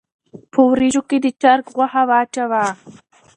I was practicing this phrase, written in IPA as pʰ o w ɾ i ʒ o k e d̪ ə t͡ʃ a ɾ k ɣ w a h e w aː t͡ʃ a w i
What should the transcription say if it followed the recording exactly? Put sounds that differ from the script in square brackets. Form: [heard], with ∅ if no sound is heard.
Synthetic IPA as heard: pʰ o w ɾ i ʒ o k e d̪ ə t͡ʃ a ɾ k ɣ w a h [a] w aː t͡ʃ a w [a]